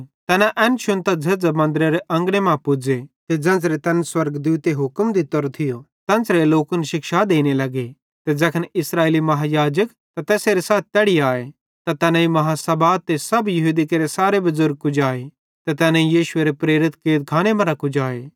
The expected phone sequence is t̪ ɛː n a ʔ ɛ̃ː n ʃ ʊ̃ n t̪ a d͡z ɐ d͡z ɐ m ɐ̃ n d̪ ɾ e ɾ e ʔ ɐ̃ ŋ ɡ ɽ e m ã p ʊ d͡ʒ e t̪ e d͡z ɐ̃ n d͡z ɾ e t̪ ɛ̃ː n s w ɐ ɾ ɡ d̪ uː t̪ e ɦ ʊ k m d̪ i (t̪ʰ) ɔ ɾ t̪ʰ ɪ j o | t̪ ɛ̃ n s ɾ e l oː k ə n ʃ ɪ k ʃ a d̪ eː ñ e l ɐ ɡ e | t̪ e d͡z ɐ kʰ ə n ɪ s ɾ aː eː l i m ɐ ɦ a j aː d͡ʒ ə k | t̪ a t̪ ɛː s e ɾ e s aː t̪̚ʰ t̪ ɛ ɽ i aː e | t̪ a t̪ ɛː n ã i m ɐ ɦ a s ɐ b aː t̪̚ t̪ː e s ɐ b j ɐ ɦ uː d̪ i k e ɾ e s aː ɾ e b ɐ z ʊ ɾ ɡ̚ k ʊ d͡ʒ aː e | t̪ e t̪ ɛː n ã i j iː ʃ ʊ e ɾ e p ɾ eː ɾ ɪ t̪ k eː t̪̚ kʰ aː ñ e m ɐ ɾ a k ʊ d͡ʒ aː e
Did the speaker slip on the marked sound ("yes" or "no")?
yes